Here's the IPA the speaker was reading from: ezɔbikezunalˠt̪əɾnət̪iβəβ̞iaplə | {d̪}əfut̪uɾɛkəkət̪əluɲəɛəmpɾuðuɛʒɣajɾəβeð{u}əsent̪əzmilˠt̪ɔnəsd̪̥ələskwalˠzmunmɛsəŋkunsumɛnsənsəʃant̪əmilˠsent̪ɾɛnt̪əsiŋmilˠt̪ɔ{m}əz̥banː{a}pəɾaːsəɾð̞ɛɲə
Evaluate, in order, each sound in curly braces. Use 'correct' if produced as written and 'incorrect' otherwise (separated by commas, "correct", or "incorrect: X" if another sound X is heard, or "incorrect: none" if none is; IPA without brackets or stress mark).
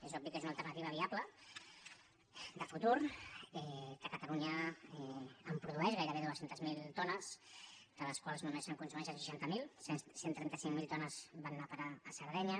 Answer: correct, correct, incorrect: n, correct